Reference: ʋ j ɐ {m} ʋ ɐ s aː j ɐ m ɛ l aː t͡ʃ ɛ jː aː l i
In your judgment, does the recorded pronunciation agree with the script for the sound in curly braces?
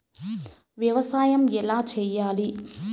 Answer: no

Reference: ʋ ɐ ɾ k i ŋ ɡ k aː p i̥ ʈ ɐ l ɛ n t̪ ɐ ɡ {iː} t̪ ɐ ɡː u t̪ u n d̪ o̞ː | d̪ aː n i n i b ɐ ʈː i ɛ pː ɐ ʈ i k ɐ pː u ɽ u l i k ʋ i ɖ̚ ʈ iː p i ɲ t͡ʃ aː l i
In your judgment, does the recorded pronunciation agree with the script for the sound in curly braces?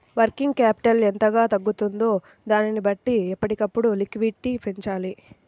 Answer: no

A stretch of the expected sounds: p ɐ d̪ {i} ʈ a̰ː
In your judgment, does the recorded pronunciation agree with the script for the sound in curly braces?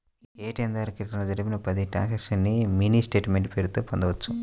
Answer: yes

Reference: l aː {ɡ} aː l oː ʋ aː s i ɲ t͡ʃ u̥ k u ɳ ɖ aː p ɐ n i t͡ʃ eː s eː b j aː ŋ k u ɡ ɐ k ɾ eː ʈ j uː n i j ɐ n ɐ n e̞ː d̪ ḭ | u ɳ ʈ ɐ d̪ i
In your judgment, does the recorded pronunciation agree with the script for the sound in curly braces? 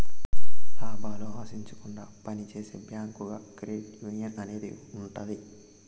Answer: no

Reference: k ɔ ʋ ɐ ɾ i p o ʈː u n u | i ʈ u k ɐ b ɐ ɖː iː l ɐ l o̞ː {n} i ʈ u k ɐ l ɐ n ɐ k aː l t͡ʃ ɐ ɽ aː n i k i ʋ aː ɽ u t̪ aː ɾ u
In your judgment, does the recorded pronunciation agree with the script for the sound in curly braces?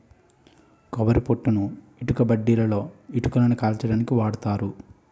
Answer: no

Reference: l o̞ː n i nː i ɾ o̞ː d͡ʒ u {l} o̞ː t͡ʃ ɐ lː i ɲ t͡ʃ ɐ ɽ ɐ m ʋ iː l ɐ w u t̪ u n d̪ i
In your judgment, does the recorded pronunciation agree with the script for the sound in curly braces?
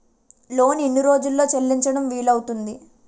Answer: no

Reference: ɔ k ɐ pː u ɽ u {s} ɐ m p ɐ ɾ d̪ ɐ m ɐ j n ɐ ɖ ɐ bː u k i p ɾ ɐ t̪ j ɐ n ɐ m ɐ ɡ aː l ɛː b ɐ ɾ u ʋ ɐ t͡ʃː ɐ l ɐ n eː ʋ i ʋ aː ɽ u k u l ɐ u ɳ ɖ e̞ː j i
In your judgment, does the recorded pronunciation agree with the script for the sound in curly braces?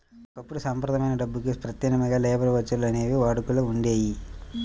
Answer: yes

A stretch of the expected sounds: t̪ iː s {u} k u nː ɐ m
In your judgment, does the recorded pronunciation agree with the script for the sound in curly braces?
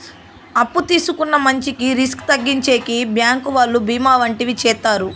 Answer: yes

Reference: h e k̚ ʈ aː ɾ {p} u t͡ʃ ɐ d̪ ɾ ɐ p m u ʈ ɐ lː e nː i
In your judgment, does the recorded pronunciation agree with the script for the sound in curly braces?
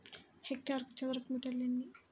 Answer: no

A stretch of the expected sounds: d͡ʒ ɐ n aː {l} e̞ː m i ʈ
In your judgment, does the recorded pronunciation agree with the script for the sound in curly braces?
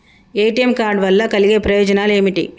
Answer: yes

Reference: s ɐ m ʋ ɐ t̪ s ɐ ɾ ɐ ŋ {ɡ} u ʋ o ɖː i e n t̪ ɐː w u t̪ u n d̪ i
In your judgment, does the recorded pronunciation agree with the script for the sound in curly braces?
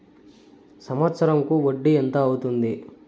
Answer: no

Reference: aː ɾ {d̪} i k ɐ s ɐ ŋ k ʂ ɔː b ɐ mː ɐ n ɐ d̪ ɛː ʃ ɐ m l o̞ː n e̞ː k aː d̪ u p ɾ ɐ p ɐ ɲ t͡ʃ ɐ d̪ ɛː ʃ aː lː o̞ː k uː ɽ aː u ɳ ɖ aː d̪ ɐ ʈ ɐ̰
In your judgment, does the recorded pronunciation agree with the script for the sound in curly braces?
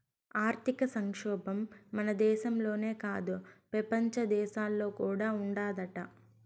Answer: no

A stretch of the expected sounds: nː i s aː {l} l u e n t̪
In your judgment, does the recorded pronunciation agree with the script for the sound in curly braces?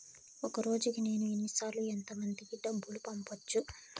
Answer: no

